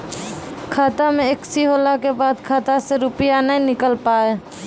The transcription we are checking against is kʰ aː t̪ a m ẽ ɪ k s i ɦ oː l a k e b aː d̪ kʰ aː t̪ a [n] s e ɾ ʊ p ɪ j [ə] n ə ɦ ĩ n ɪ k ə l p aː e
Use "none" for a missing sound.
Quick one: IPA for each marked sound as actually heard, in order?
none, a

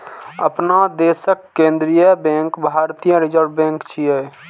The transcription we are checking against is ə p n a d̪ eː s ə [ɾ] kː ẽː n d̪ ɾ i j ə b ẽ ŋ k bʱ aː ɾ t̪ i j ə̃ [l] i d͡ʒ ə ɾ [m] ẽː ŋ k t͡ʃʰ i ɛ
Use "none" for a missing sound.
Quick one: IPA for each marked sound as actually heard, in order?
none, ɾ, b

